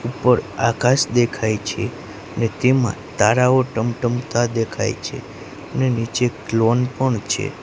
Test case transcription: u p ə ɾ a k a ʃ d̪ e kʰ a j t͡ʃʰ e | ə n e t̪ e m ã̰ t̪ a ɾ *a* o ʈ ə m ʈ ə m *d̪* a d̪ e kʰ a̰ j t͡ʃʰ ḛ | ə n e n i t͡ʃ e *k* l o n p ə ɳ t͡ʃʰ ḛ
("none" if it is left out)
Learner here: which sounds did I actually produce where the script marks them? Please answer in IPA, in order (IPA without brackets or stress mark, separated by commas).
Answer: a, t̪, k